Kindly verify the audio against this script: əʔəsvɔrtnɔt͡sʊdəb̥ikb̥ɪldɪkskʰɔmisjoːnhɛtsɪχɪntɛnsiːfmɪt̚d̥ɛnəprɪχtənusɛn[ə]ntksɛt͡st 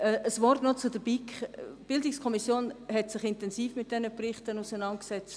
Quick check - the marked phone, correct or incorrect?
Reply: incorrect